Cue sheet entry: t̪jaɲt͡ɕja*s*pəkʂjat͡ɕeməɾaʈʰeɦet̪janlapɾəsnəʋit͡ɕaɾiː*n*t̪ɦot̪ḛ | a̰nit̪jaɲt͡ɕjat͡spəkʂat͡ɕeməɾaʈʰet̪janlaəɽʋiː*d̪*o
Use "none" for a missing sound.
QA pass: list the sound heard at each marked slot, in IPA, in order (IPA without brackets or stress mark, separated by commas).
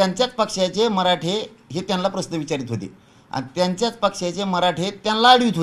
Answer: t͡s, none, t̪